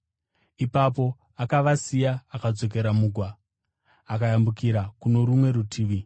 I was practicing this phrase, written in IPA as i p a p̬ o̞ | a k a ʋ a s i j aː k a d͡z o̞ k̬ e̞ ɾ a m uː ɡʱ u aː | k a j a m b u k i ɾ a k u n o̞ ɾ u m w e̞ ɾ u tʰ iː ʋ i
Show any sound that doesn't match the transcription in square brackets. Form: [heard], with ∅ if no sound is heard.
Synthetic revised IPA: i p a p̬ o̞ | a k a ʋ a s i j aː k a d͡z o̞ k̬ e̞ ɾ a m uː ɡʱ [w] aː | k a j a m b u k i ɾ a k u n o̞ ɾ u m w e̞ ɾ u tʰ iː ʋ i